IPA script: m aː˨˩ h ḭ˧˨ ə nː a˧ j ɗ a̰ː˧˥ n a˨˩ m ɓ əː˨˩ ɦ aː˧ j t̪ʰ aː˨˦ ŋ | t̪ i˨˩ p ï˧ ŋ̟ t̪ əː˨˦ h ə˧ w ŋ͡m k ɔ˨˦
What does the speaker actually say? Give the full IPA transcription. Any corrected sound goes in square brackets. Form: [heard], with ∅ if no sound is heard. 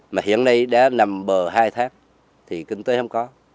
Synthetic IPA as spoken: m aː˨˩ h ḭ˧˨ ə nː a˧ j ɗ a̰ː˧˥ n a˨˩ m ɓ əː˨˩ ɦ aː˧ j t̪ʰ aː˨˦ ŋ | [t̪ʰ] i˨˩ [k] ï˧ ŋ̟ t̪ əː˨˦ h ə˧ w ŋ͡m k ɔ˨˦